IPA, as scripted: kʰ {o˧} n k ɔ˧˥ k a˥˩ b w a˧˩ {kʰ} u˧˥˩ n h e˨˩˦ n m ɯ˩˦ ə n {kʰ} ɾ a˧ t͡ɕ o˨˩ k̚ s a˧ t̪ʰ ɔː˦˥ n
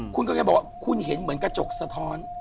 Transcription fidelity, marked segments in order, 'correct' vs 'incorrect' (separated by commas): incorrect, correct, incorrect